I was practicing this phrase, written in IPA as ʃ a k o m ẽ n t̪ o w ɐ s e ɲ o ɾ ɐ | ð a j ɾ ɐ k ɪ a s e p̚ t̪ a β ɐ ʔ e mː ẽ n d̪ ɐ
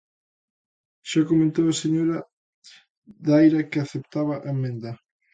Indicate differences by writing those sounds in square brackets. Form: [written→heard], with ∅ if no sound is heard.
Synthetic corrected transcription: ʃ a k o m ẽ n t̪ o w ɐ s e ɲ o ɾ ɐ | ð a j ɾ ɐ k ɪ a [s→θ] e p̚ t̪ a β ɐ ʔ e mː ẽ n d̪ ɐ